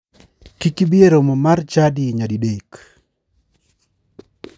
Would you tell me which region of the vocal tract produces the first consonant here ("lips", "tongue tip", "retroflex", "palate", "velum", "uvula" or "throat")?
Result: velum